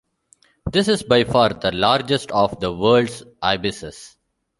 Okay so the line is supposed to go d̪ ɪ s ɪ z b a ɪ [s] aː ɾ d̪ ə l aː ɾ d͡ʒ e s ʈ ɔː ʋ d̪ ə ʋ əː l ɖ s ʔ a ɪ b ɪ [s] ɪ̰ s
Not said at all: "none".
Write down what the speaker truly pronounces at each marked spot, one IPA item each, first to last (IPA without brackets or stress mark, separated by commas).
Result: f, s